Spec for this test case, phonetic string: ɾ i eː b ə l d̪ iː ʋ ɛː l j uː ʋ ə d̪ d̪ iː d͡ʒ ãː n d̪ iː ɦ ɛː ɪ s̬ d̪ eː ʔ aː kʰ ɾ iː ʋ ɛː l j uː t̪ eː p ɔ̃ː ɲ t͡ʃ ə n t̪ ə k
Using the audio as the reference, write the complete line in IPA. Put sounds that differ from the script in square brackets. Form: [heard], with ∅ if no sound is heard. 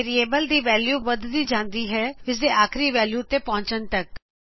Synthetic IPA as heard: ɾ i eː b ə l d̪ iː ʋ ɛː l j uː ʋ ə d̪ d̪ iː d͡ʒ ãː n d̪ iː ɦ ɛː ɪ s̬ d̪ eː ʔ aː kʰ ɾ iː ʋ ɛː l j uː t̪ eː p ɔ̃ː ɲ t͡ʃ ə n t̪ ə k